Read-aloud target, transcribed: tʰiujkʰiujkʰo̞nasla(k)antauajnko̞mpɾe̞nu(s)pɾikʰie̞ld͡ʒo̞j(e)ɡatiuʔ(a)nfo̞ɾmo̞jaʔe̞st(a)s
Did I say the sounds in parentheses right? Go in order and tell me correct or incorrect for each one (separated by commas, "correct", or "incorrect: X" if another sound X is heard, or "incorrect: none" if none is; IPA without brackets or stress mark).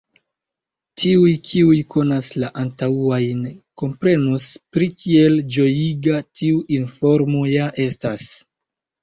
incorrect: ʔ, correct, incorrect: i, incorrect: i, correct